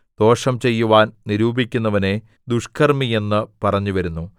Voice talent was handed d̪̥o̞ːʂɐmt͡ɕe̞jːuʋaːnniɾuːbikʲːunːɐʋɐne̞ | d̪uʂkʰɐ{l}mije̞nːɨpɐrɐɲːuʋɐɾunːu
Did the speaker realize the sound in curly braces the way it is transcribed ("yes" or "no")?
no